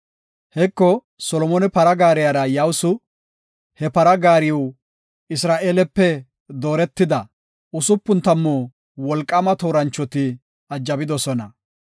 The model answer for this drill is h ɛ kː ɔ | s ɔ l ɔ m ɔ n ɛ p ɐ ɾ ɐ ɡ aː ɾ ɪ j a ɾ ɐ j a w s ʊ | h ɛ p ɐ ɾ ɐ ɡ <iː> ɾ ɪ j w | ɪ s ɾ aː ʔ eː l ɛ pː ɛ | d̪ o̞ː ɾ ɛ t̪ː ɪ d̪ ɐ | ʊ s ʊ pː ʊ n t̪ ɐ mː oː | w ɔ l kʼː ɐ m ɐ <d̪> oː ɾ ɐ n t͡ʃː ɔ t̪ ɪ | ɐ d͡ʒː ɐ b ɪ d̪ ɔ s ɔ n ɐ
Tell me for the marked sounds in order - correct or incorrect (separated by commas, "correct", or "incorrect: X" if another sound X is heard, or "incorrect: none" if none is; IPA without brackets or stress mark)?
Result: incorrect: aː, incorrect: t̪